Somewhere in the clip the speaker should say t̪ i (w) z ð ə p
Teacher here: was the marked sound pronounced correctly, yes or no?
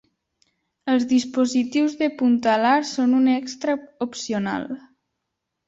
yes